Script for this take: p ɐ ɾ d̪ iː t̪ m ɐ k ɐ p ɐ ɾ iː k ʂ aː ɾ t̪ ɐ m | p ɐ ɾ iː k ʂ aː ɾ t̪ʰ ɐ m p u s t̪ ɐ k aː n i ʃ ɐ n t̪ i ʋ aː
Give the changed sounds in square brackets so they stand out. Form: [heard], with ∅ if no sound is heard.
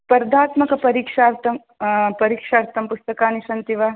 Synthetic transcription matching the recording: p ɐ ɾ d̪ [aː] t̪ m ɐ k ɐ p ɐ ɾ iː k ʂ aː ɾ t̪ ɐ m | p ɐ ɾ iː k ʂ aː ɾ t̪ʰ ɐ m p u s t̪ ɐ k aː n i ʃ ɐ n t̪ i ʋ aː